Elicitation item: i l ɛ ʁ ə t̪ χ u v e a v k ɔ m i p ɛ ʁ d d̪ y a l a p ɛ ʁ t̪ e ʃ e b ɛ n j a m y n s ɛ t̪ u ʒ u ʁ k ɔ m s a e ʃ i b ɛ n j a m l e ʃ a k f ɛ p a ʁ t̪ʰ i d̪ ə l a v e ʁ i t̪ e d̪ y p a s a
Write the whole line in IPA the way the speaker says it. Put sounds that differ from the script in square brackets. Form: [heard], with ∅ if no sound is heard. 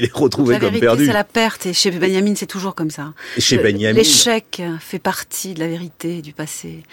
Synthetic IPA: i l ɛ ʁ ə t̪ χ u v e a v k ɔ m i p ɛ ʁ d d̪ y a l a p ɛ ʁ t̪ e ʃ e b ɛ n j a m [i] n s ɛ t̪ u ʒ u ʁ k ɔ m s a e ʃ [e] b ɛ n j a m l e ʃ [ɛ] k f ɛ p a ʁ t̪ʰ i d̪ ə l a v e ʁ i t̪ e d̪ y p a s [e]